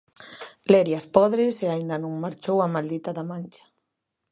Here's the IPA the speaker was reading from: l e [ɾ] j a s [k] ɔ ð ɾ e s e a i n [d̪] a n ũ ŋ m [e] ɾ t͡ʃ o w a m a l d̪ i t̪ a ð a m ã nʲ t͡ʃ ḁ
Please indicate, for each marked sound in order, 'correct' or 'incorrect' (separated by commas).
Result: correct, incorrect, correct, incorrect